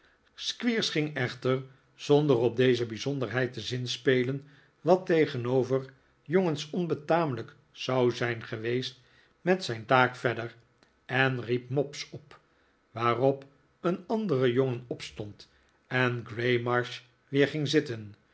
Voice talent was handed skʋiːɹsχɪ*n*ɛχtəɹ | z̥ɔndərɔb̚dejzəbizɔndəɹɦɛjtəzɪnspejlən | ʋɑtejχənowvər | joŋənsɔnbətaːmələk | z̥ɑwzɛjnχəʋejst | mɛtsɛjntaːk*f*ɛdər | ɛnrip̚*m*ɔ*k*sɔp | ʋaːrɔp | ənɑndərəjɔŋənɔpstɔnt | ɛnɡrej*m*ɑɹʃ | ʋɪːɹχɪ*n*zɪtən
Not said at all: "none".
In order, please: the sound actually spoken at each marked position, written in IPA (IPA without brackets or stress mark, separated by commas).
ŋ, f, m, p, m, ŋ